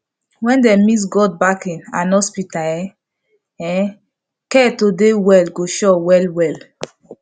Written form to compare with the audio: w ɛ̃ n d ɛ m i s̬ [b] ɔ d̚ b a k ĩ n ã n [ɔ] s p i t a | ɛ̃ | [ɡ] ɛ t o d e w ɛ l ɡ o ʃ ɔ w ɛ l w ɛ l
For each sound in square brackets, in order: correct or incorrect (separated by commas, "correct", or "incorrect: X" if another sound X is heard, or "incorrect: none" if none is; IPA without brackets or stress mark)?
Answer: incorrect: ɡ, correct, incorrect: k